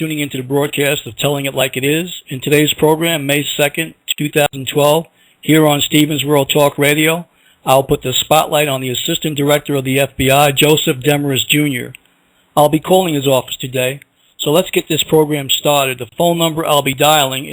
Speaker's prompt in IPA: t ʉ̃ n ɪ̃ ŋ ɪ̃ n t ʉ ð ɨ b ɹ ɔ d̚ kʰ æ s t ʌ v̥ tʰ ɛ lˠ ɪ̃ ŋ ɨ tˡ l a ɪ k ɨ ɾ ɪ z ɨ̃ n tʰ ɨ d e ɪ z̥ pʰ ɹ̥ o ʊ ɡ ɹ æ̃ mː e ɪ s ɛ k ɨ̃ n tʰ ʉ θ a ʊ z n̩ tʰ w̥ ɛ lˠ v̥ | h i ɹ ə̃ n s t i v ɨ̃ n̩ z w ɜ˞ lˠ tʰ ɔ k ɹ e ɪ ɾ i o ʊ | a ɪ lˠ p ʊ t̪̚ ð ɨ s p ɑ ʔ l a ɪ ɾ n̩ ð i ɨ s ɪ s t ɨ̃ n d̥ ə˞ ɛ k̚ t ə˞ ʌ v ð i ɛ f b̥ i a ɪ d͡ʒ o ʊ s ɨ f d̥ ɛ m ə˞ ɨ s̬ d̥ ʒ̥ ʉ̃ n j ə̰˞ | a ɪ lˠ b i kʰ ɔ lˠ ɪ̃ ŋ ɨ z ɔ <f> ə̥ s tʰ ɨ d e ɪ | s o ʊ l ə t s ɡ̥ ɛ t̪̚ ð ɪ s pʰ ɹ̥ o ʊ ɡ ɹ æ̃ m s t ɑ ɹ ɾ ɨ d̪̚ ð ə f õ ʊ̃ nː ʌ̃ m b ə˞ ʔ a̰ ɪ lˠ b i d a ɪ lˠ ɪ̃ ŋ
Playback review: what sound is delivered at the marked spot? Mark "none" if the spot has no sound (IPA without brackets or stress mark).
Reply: f